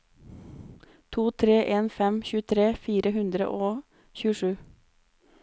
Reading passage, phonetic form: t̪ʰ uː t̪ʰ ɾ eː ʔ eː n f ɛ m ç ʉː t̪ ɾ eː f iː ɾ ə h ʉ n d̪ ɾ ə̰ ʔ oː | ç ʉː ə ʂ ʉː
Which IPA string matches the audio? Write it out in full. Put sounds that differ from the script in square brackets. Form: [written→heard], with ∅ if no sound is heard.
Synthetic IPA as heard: t̪ʰ uː t̪ʰ ɾ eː ʔ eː n f ɛ m ç ʉː [t̪→t̪ʰ] ɾ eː f iː ɾ ə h ʉ n d̪ ɾ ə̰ ʔ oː | ç ʉː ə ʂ ʉː